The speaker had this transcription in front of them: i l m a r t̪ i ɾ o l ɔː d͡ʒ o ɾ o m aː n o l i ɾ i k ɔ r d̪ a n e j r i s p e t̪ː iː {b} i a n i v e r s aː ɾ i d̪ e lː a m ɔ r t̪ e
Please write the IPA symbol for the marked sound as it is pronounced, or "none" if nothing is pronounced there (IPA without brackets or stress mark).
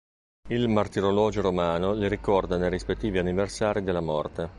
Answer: v